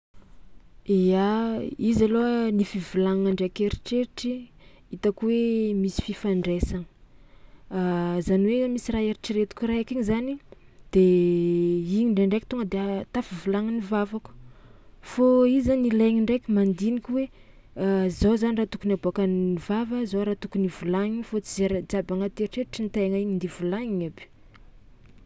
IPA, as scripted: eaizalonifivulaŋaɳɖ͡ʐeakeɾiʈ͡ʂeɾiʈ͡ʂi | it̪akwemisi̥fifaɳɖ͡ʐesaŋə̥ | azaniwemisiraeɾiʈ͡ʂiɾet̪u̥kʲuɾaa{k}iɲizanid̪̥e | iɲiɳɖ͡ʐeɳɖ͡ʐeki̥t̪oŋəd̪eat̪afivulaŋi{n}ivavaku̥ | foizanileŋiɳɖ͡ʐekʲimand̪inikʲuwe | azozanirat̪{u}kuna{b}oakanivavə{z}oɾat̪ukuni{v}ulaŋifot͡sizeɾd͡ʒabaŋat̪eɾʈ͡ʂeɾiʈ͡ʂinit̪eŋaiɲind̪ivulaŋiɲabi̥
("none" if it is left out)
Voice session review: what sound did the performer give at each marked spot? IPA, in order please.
k, n, u, b, z, v

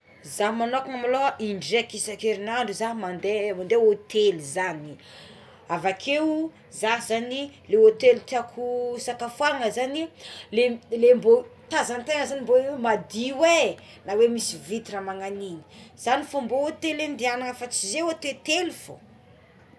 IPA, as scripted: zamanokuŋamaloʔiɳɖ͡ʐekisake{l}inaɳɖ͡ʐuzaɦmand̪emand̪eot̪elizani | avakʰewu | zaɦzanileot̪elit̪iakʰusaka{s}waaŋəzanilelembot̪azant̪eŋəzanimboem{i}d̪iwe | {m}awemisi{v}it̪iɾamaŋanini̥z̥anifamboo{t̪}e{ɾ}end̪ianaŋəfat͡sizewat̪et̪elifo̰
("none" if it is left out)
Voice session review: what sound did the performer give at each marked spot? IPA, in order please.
ɾ, f, a, n, v, t̪, l

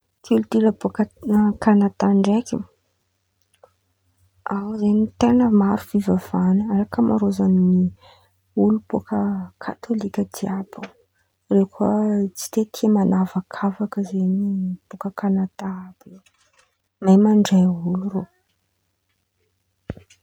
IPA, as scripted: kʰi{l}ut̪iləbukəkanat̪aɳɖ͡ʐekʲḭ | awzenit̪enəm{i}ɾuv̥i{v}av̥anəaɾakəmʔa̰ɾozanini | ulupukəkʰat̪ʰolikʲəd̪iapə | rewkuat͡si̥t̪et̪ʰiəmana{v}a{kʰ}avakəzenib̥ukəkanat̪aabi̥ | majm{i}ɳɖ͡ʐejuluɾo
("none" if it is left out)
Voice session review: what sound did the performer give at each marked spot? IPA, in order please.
l, a, v, v, kʰ, a

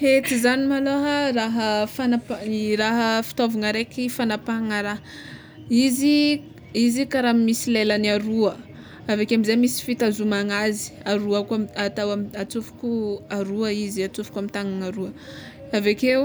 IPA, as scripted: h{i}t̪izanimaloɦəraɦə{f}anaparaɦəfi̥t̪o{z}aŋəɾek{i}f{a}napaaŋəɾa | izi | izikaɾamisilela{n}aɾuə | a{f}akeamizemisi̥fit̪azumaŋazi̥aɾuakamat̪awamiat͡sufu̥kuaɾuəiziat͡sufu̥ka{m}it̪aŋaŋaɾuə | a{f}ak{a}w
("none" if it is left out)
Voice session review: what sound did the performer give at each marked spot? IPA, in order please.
e, f, v, i, a, n, v, m, v, e

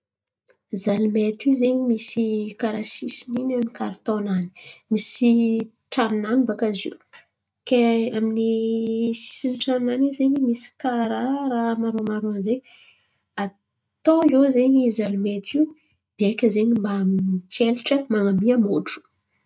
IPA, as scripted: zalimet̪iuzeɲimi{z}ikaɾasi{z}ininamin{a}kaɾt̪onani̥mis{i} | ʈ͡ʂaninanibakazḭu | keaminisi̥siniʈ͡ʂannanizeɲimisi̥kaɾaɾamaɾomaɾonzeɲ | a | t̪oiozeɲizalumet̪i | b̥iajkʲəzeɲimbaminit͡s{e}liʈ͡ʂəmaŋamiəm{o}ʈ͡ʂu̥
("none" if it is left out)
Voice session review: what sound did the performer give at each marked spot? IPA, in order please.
s, s, i, i, e, o

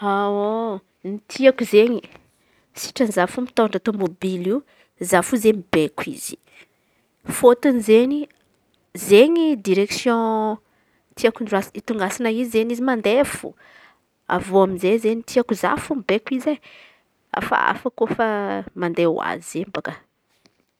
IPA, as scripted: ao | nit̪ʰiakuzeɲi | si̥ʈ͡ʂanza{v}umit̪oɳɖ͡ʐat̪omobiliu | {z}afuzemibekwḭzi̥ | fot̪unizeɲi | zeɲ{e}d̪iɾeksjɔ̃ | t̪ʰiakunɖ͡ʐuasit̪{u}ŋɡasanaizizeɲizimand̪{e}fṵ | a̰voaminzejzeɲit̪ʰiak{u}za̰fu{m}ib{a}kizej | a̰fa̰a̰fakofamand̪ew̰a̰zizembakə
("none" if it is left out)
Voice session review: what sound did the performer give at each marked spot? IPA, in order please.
f, z, i, u, e, u, m, e

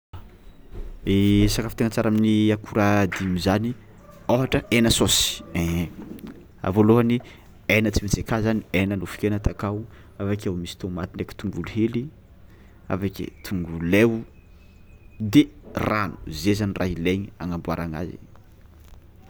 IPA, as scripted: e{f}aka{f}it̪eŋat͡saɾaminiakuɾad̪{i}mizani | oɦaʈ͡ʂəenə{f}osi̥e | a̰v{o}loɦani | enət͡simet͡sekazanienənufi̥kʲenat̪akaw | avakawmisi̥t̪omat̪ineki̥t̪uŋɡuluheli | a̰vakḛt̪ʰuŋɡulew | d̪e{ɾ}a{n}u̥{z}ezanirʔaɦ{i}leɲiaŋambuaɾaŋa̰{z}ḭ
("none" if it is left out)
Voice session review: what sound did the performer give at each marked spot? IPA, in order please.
s, f, i, s, o, r, n, z, i, z

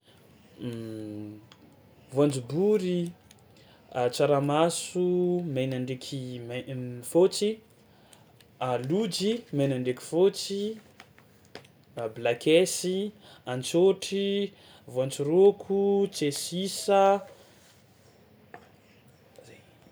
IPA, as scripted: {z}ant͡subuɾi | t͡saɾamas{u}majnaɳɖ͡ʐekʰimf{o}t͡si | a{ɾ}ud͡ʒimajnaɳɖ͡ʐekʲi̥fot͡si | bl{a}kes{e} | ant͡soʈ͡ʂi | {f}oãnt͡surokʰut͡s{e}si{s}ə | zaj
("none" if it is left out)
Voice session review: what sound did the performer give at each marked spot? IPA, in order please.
v, u, o, l, a, i, v, e, s

